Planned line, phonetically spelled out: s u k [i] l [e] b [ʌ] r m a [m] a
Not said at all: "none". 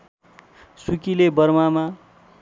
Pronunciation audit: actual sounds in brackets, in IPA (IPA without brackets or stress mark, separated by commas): i, e, ʌ, m